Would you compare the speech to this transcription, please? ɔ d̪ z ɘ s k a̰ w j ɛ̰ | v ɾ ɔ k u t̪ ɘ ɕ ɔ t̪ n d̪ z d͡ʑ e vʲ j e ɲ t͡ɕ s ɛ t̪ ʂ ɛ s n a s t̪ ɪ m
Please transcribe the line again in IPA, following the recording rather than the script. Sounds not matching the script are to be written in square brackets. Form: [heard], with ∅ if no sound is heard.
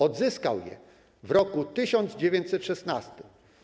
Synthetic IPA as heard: ɔ d̪ z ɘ s k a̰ w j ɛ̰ | v ɾ ɔ k u t̪ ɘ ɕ ɔ [∅] n d̪ z d͡ʑ e vʲ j e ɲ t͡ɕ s ɛ t̪ ʂ ɛ s n a s t̪ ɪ m